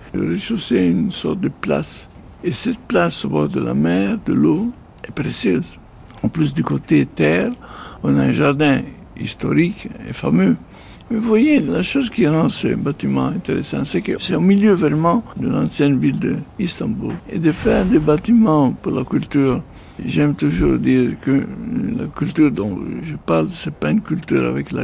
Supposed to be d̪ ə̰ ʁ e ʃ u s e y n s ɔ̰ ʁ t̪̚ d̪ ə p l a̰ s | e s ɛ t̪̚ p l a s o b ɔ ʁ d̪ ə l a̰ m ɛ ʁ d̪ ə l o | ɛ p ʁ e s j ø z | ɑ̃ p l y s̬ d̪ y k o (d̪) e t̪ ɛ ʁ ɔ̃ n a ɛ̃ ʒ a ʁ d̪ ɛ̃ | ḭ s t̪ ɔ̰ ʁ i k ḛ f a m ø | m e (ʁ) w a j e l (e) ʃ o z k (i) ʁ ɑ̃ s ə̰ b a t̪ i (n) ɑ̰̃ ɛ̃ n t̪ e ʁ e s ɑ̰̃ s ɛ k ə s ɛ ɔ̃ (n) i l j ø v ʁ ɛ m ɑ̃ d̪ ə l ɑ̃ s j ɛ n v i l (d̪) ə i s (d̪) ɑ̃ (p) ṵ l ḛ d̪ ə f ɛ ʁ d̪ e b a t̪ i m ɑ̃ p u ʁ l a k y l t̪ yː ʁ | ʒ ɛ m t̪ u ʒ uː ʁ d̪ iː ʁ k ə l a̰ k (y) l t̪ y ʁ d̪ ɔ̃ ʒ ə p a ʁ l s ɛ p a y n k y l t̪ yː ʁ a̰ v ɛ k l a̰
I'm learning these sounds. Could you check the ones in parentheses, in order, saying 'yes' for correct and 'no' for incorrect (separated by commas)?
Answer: no, no, no, yes, no, no, yes, no, no, yes